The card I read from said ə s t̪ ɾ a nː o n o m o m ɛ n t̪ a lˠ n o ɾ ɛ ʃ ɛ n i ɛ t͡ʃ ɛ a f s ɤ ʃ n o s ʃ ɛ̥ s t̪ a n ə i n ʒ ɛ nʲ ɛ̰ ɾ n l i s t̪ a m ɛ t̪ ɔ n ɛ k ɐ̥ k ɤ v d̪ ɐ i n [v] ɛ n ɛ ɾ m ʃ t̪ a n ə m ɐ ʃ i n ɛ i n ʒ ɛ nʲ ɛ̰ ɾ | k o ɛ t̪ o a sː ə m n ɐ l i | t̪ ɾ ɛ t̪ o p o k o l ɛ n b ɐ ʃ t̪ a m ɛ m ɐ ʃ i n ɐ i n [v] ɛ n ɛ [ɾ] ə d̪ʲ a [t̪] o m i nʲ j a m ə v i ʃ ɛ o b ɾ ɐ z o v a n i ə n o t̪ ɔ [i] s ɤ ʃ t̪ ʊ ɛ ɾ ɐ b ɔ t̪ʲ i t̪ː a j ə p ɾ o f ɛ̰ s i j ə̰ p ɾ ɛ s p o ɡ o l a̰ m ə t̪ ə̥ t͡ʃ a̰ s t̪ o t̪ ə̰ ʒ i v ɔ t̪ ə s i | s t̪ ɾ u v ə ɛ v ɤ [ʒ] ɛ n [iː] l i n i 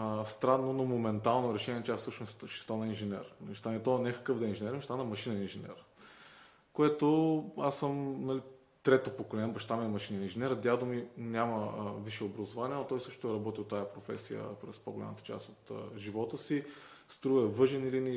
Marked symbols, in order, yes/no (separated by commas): no, no, yes, no, no, yes, no